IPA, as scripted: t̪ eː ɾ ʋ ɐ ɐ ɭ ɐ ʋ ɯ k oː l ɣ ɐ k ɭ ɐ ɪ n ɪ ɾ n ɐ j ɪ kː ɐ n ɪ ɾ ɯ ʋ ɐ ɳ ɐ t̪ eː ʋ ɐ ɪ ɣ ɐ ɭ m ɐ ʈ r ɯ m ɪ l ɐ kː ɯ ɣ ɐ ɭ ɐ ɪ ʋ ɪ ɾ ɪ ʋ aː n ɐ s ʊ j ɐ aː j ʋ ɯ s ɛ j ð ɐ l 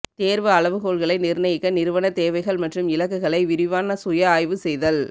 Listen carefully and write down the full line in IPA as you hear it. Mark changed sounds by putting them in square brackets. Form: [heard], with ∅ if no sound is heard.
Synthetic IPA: t̪ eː ɾ ʋ ɐ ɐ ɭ ɐ ʋ ɯ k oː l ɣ ɐ [∅] ɭ ɐ ɪ n ɪ ɾ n ɐ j ɪ kː ɐ n ɪ ɾ ɯ ʋ ɐ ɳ ɐ t̪ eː ʋ ɐ ɪ ɣ ɐ ɭ m ɐ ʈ r ɯ m ɪ l ɐ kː ɯ ɣ ɐ ɭ ɐ ɪ ʋ ɪ ɾ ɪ ʋ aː n ɐ s ʊ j ɐ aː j ʋ ɯ s ɛ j ð ɐ l